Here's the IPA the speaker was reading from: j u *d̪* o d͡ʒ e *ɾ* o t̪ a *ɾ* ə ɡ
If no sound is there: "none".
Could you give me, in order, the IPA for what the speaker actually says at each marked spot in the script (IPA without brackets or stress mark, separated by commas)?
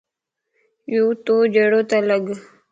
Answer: t̪, ɽ, l